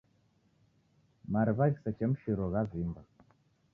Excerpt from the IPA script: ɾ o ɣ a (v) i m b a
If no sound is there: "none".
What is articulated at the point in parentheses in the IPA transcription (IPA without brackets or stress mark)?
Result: v